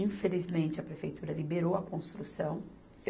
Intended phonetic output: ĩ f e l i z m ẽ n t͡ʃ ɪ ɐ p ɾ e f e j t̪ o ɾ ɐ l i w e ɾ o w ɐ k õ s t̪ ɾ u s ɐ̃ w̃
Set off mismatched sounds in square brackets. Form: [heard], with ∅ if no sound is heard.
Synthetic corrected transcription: ĩ f e l i z m ẽ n t͡ʃ ɪ ɐ p ɾ e f e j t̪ [u] ɾ ɐ l i [b] e ɾ o w ɐ k õ s t̪ ɾ u s ɐ̃ w̃